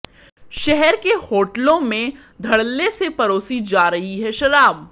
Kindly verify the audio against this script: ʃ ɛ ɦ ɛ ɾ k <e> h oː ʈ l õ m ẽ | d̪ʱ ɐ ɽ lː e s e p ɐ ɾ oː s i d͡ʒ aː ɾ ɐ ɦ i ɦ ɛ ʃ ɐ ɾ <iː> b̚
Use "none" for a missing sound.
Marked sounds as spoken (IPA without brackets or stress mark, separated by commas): e, aː